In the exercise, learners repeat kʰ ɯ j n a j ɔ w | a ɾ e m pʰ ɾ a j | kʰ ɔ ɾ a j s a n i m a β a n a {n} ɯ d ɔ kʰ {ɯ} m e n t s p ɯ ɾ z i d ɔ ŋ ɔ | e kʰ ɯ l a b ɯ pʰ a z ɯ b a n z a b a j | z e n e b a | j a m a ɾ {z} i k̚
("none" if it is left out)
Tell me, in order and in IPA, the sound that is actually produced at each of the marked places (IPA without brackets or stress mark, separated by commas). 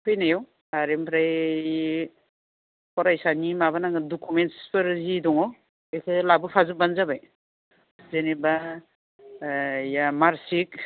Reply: ŋ, u, s